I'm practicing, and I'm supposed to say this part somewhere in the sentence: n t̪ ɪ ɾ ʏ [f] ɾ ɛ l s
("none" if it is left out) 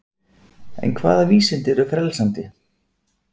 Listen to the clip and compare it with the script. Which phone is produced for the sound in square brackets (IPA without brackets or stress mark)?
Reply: f